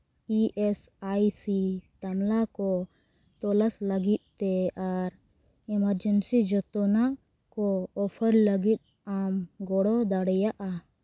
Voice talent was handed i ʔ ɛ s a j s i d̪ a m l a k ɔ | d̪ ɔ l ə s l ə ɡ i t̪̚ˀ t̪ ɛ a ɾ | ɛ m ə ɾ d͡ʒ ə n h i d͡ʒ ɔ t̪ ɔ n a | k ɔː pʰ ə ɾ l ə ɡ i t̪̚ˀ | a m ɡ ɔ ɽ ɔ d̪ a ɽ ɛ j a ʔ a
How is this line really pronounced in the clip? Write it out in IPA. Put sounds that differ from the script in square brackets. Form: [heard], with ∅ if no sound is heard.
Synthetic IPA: i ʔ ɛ s a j s i [t̪] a m l a k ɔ | [t̪] ɔ l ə s l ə ɡ i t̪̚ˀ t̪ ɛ a ɾ | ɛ m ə ɾ d͡ʒ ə n [s] i d͡ʒ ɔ t̪ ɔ n a | k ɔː pʰ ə ɾ l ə ɡ i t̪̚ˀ | a m ɡ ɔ ɽ ɔ d̪ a ɽ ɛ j a ʔ a